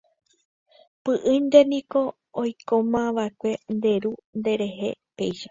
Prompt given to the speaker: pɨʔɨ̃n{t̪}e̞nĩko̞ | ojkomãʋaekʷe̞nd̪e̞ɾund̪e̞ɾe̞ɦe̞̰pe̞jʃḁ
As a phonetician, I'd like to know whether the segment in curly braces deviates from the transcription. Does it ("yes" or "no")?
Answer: yes